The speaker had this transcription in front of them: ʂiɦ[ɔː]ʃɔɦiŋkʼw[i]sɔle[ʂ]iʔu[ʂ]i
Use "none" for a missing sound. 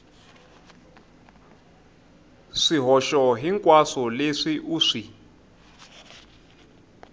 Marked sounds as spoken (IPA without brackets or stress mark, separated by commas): ɔ, a, ʂ, ʂ